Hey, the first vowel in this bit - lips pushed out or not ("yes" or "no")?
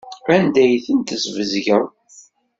no